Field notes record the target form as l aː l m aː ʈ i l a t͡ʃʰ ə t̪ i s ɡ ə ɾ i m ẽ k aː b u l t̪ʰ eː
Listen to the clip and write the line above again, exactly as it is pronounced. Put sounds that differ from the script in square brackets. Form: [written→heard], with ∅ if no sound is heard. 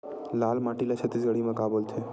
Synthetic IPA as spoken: l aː l m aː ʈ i l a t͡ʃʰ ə t̪ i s ɡ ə [ɾ→ɽ] i m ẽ k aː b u l t̪ʰ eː